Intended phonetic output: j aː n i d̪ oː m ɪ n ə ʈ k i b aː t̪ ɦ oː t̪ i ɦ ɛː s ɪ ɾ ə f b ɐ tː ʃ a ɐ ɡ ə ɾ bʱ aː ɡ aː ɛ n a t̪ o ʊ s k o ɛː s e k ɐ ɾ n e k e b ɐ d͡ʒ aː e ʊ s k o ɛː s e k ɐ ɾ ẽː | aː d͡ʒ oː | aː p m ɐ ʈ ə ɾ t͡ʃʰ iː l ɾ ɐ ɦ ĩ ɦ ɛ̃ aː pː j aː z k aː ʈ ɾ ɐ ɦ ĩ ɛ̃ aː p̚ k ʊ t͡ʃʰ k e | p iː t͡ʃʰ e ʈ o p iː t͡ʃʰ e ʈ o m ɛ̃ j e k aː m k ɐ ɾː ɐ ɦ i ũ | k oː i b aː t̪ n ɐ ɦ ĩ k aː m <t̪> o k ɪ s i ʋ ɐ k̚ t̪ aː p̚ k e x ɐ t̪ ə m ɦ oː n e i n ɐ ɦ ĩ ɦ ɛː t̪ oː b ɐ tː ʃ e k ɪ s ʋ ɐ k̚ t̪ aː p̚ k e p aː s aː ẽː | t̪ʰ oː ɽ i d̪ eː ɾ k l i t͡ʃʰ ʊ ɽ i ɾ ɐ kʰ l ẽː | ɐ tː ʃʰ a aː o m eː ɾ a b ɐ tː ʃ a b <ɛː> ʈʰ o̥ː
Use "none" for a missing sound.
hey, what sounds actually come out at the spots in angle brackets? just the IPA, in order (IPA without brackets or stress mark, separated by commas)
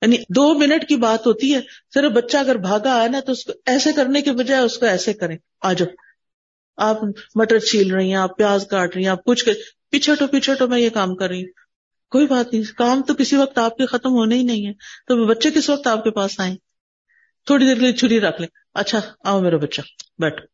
t̪, ɛː